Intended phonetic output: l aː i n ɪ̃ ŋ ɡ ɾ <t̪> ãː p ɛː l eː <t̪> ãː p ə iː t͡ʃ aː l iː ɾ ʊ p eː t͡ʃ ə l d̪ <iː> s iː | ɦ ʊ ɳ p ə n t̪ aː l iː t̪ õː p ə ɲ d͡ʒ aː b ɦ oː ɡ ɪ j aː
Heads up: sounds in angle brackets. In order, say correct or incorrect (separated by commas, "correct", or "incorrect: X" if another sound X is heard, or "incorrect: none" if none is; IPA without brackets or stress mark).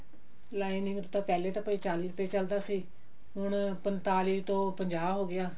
correct, correct, incorrect: aː